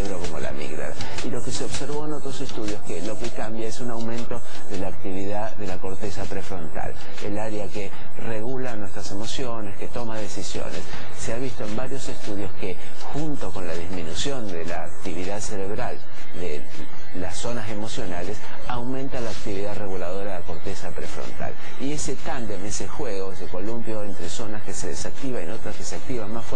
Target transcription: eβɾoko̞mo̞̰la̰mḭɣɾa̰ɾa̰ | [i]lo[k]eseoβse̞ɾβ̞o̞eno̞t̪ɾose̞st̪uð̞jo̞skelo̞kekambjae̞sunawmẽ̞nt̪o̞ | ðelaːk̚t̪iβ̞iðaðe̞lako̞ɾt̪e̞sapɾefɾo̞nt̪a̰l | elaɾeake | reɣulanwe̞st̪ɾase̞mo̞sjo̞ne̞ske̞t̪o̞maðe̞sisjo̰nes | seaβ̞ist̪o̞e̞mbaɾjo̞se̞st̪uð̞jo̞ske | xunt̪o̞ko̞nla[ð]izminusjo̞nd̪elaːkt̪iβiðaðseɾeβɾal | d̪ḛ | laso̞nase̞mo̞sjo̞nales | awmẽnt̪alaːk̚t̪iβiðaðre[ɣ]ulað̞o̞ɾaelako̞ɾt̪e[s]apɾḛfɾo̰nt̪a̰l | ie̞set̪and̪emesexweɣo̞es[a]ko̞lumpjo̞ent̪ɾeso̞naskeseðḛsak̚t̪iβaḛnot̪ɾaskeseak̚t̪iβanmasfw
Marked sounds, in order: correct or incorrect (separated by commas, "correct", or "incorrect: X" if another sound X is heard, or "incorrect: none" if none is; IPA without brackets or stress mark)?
correct, correct, correct, correct, correct, incorrect: e